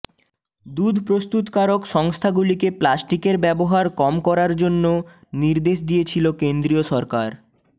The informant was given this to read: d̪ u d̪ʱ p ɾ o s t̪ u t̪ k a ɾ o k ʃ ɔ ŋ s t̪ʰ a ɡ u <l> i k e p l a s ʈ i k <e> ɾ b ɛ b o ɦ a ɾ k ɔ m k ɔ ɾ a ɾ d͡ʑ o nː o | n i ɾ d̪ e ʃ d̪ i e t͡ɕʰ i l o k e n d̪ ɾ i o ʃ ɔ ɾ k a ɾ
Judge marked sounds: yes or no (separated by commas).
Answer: yes, yes